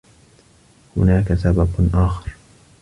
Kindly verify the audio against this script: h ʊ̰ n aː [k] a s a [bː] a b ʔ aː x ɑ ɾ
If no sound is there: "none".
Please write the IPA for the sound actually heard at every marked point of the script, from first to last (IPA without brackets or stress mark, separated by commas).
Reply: k, b